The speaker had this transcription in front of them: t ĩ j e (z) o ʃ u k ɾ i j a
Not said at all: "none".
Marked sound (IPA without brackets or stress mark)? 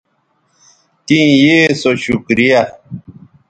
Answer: s